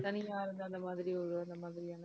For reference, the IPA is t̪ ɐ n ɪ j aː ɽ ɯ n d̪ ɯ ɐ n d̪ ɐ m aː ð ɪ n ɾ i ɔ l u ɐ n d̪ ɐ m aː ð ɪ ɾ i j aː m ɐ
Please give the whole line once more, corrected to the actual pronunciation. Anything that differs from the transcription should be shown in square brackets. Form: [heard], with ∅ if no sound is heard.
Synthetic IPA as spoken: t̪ ɐ n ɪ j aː [ɾ] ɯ n d̪ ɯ ɐ n d̪ ɐ m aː ð ɪ [∅] ɾ i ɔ [ɾ] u ɐ n d̪ ɐ m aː ð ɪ ɾ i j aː [n] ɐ